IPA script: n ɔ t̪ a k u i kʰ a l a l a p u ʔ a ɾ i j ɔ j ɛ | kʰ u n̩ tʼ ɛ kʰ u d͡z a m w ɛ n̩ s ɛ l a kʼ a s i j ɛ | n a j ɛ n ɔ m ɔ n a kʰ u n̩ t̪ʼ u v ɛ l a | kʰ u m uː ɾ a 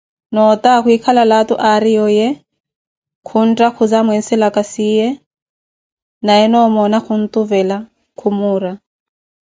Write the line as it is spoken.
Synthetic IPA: n ɔ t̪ a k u i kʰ a l a l a t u ʔ a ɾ i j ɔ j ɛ | kʰ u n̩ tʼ a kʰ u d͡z a m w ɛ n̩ s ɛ l a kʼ a s i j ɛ | n a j ɛ n ɔ m ɔ n a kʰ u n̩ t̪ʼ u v ɛ l a | kʰ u m uː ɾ a